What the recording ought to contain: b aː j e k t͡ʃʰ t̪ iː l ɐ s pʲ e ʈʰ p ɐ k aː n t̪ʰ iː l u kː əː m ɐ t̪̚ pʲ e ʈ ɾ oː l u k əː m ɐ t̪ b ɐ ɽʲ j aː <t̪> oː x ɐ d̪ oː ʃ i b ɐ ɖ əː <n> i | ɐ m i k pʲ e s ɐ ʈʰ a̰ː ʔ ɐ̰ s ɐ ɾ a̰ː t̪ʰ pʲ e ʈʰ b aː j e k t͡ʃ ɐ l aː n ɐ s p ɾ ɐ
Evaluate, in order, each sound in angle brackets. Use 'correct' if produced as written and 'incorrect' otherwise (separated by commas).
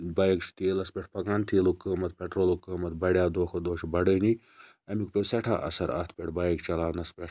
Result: incorrect, correct